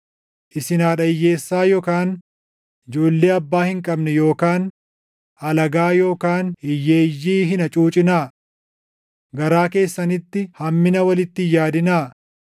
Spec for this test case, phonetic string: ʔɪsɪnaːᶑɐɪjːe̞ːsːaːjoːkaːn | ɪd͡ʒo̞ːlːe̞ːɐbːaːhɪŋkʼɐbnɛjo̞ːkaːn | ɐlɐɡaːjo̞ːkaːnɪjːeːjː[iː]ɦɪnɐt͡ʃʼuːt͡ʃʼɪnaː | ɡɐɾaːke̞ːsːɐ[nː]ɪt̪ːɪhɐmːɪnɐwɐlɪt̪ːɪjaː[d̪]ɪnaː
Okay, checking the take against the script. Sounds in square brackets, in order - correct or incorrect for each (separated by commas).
correct, incorrect, correct